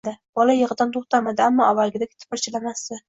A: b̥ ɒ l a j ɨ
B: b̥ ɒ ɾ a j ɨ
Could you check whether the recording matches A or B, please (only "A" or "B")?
A